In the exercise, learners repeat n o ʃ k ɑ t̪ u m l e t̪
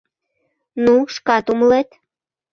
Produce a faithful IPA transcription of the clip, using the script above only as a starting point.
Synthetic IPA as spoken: n u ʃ k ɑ t̪ u m l e t̪